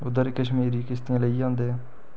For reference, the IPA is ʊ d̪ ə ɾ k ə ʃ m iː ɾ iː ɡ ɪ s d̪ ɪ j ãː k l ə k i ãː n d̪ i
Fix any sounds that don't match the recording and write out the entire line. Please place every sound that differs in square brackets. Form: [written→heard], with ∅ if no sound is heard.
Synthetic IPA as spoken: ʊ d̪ ə ɾ k ə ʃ m iː ɾ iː [ɡ→k] ɪ s [d̪→t̪] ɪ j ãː [k→∅] l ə [k→∅] i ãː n d̪ [i→e]